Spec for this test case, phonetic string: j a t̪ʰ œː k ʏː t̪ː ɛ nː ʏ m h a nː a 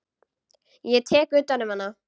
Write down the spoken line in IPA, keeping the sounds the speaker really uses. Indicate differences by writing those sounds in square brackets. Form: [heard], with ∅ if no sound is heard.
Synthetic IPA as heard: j [ɛ] t̪ʰ [ɛː] k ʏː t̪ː [a] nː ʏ m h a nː a